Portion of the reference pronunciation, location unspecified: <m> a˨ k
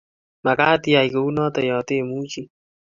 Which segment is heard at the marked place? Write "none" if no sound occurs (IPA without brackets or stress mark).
m